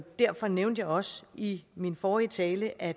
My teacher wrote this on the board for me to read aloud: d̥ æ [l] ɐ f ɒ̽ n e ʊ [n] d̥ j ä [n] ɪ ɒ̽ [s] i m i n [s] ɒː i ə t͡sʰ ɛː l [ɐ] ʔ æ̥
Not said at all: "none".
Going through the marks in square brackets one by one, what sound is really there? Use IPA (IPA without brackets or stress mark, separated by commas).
none, n, none, s, f, ə